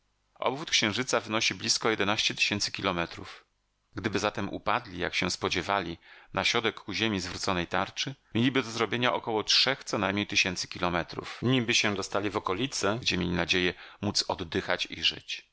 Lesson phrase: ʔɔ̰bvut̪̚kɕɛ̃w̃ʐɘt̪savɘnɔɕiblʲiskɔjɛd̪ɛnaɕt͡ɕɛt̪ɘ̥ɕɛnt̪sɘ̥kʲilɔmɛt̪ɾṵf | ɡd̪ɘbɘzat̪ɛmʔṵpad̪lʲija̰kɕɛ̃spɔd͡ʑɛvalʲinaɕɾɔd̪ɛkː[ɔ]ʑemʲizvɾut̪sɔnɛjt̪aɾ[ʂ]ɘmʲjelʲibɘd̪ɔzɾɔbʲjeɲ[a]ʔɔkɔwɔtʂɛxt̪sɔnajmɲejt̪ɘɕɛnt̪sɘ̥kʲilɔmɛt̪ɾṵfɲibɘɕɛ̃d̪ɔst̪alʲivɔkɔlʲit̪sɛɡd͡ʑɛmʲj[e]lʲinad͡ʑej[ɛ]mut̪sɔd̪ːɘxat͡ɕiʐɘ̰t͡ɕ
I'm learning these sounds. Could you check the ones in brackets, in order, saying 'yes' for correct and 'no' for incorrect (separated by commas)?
no, no, yes, yes, yes